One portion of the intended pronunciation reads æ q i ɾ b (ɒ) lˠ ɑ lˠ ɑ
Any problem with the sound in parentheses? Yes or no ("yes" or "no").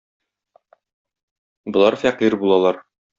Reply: yes